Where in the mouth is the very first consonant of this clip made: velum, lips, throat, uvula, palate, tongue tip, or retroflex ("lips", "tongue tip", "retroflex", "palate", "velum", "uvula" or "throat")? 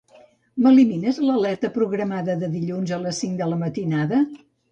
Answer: lips